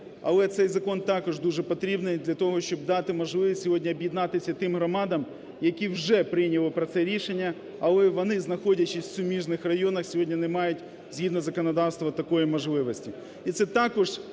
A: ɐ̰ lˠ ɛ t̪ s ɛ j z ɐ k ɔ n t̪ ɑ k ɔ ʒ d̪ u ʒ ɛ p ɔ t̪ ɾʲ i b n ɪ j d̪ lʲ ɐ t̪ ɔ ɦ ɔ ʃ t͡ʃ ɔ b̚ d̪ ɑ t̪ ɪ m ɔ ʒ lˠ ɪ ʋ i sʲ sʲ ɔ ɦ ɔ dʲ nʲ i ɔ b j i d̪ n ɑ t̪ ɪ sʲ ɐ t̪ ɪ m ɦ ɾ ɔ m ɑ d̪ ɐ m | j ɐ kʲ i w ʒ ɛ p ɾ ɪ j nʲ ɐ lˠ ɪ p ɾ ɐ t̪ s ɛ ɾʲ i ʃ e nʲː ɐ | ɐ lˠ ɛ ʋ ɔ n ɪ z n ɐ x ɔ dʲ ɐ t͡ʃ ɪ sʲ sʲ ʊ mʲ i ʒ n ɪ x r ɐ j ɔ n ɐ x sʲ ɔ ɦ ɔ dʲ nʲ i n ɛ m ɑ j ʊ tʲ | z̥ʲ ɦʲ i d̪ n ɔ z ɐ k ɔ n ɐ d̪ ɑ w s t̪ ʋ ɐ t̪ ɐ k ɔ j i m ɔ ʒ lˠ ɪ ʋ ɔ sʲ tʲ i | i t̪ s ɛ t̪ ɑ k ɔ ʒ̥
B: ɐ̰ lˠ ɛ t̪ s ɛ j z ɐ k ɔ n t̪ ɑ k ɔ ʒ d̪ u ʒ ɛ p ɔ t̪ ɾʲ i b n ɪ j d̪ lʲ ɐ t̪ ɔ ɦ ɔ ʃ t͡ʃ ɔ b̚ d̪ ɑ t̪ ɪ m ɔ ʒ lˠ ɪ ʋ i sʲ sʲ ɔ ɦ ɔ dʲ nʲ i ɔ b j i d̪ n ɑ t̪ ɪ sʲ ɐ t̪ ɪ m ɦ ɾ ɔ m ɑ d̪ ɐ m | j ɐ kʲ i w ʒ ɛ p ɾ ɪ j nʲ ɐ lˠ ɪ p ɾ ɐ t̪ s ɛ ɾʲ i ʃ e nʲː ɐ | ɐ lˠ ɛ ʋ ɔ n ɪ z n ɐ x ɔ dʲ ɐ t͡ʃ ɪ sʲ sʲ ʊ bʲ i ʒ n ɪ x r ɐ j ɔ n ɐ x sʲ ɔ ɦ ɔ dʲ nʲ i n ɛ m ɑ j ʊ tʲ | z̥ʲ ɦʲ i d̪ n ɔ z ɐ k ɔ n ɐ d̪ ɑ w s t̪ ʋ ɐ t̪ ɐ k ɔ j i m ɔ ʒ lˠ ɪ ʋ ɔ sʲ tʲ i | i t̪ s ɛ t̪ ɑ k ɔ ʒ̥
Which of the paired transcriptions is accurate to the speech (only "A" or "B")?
A